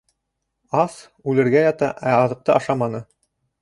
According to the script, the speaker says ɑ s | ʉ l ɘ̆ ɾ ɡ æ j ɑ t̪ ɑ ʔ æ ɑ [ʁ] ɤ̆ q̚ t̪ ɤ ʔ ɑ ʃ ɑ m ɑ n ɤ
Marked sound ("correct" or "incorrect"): incorrect